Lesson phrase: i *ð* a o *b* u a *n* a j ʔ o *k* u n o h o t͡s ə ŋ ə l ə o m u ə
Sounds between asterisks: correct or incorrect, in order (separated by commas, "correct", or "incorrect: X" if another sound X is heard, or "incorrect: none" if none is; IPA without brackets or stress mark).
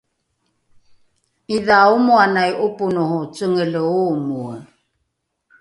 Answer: correct, incorrect: m, correct, incorrect: p